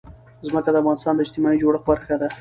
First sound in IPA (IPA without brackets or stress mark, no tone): z